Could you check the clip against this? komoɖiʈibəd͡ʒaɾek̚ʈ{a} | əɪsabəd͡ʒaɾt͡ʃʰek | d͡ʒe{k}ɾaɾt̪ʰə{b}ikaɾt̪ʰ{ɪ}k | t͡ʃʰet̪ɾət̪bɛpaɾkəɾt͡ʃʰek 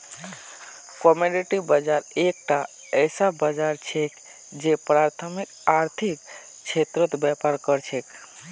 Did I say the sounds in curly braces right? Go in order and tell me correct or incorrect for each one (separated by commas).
correct, incorrect, incorrect, incorrect